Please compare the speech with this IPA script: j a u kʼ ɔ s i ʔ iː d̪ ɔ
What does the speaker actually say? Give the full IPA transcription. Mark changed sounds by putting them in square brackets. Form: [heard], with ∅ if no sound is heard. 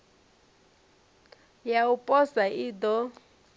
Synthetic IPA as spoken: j a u [pʼ] ɔ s [a] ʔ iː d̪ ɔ